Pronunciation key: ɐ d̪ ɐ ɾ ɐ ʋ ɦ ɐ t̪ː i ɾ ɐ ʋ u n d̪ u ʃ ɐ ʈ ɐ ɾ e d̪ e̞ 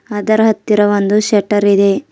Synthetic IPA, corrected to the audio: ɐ d̪ ɐ ɾ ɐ ɦ ɐ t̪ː i ɾ ɐ ʋ o n d̪ u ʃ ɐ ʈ ɐ ɾ i d̪ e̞